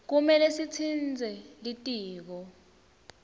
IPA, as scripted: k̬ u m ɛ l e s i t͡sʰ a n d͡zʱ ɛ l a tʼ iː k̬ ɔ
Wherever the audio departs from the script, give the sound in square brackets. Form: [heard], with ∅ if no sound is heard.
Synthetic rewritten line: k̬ u m ɛ l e s i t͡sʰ [i] n d͡zʱ ɛ l [i] tʼ iː k̬ ɔ